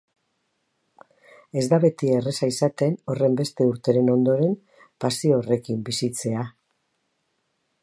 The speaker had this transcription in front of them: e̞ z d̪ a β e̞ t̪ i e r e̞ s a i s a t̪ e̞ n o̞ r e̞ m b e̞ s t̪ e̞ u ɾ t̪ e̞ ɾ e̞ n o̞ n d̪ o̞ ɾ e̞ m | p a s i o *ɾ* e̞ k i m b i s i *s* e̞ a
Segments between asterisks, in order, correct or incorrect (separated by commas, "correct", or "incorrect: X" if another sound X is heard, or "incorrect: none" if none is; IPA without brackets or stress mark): incorrect: r, incorrect: t͡s